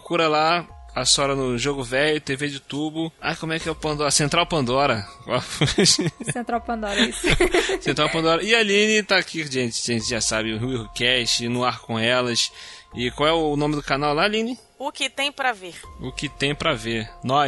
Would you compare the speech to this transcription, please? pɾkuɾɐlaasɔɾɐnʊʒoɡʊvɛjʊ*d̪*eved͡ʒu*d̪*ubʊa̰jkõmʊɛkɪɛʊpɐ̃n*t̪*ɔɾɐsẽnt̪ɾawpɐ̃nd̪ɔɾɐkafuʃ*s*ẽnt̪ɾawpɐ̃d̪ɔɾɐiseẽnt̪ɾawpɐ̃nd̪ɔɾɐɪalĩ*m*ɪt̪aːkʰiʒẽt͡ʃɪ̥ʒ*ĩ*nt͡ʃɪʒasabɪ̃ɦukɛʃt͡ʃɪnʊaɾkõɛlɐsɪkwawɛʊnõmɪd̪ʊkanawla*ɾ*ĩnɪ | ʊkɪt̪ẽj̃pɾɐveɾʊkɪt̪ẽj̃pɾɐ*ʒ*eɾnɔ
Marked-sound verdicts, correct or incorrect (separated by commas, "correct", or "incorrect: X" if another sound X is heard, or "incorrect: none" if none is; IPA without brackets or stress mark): incorrect: t̪, incorrect: t̪, incorrect: d̪, correct, incorrect: n, incorrect: ẽ, incorrect: l, incorrect: v